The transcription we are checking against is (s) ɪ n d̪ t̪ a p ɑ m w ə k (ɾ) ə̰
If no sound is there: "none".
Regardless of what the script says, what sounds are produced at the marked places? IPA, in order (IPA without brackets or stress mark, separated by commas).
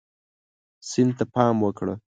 s, ɽ